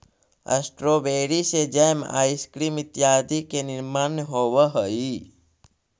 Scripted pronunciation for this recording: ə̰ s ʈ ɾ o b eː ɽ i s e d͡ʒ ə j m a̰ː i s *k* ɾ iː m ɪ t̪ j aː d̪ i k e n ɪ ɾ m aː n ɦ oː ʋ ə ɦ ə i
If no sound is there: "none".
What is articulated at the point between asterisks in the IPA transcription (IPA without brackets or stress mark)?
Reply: k